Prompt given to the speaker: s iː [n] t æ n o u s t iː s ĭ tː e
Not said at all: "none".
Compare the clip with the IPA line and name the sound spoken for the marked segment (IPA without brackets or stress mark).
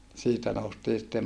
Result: none